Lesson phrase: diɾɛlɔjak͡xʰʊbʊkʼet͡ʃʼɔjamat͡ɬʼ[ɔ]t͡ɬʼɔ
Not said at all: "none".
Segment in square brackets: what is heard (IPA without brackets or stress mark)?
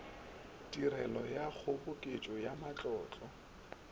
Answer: ɔː